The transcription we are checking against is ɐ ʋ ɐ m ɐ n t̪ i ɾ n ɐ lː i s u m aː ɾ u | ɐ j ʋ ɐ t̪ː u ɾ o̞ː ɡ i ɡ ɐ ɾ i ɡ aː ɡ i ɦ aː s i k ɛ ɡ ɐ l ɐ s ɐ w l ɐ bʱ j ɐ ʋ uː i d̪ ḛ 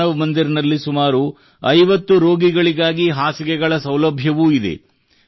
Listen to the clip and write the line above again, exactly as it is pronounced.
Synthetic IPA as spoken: ɐ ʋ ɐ m ɐ n d̪ i ɾ n ɐ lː i s u m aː ɾ u | ɐ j ʋ ɐ t̪ː u ɾ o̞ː ɡ i ɡ ɐ ɭ i ɡ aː ɡ i ɦ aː s i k ɛ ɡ ɐ ɭ ɐ s ɐ w l ɐ bʱ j ɐ ʋ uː i d̪ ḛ

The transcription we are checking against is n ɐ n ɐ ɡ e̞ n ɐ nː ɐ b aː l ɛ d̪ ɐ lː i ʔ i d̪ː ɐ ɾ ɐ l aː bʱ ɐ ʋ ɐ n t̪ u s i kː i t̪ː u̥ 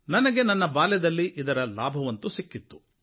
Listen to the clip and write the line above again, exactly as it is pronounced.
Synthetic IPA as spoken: n ɐ n ɐ ɡ e̞ n ɐ nː ɐ b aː l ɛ d̪ ɐ lː i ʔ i d̪ ɐ ɾ ɐ l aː bʱ ɐ ʋ ɐ n t̪ u s i kː i t̪ː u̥

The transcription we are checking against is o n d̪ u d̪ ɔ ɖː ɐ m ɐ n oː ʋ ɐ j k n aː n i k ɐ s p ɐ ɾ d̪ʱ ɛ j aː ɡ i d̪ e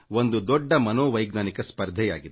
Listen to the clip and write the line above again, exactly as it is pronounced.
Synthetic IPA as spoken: o n d̪ u d̪ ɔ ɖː ɐ m ɐ n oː ʋ ɐ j ɡ n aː n i k ɐ s p ɐ ɾ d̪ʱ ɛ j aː ɡ i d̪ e

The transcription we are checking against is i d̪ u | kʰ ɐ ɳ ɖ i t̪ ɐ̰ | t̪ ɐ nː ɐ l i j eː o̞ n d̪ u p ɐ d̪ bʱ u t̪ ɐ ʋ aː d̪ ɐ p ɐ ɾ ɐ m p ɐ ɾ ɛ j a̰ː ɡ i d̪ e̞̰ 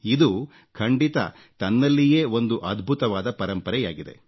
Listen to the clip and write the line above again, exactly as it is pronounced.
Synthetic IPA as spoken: i d̪ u | kʰ ɐ ɳ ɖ i t̪ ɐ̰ | t̪ ɐ nː ɐ lː i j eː o̞ n d̪ u ʔ ɐ d̪ bʱ u t̪ ɐ ʋ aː d̪ ɐ p ɐ ɾ ɐ m p ɐ ɾ ɛ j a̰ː ɡ i d̪ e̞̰

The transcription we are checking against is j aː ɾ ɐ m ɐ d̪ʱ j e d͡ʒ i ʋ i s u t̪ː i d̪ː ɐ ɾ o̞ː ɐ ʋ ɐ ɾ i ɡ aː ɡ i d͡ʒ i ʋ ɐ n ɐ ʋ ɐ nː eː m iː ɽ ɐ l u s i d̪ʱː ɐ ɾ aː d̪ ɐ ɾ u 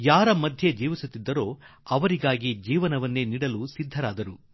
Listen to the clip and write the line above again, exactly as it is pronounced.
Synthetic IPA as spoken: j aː ɾ ɐ m ɐ d̪ʱ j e d͡ʒ iː ʋ i s u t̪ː i d̪ː ɐ ɾ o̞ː ɐ ʋ ɐ ɾ i ɡ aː ɡ i d͡ʒ iː ʋ ɐ n ɐ ʋ ɐ nː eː n iː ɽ ɐ l u s i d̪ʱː ɐ ɾ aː d̪ ɐ ɾ u

